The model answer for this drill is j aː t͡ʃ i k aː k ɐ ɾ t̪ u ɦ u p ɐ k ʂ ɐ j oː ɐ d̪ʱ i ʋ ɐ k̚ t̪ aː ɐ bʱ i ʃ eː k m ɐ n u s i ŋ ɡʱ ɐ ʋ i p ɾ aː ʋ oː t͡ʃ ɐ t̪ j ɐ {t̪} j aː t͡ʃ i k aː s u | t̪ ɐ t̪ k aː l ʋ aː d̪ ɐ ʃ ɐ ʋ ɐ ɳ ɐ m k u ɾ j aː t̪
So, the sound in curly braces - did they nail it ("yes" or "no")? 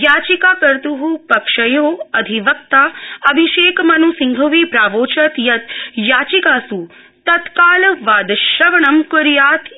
yes